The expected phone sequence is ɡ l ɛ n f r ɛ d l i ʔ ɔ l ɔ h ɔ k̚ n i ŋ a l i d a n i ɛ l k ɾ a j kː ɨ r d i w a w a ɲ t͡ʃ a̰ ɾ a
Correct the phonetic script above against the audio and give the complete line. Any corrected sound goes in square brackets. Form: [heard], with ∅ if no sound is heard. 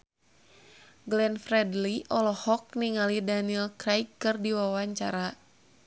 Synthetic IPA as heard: ɡ l ɛ n f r ɛ d l i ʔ ɔ l ɔ h ɔ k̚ n i ŋ a l i d a n i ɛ l k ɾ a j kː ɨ r d i w a w a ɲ t͡ʃ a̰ ɾ a